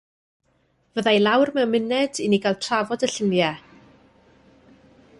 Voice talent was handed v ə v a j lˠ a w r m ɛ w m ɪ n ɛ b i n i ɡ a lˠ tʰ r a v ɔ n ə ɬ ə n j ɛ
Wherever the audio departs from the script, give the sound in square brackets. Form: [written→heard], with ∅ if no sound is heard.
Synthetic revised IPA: v ə [v→ð] a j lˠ a w r m ɛ w m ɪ n ɛ [b→d] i n i ɡ a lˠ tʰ r a v ɔ [n→d] ə ɬ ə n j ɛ